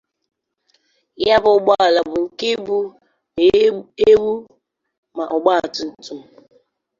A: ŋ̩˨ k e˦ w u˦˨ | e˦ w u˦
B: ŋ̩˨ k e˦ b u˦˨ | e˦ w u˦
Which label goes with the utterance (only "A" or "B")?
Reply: B